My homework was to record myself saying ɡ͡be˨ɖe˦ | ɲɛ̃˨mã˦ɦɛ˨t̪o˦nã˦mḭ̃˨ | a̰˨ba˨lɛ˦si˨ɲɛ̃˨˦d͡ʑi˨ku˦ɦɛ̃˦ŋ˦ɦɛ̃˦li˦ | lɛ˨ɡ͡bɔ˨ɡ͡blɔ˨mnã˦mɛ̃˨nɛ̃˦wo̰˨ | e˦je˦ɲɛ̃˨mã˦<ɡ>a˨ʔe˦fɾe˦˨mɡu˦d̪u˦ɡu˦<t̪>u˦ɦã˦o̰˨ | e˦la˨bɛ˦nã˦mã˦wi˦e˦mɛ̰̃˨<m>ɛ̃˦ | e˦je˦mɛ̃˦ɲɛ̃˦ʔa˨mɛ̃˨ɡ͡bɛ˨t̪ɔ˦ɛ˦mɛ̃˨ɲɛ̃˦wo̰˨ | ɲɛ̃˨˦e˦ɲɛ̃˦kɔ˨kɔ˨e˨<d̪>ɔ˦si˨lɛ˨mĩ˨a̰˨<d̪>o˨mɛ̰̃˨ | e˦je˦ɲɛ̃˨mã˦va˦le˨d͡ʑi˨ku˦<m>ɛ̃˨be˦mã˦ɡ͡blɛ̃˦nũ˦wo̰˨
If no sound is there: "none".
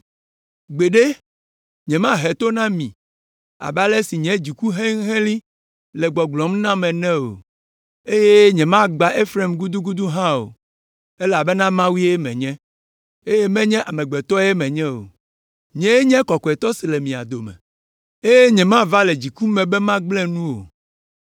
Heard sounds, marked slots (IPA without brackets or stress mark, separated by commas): ɡ͡b, d̪, ɲ, t̪, d̪, m